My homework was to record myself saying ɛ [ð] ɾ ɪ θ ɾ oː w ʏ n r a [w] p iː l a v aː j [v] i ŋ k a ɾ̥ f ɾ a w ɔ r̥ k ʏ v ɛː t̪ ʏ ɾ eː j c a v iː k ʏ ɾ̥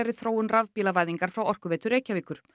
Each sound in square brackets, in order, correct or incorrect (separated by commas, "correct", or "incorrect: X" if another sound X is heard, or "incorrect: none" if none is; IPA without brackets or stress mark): incorrect: none, incorrect: v, incorrect: ð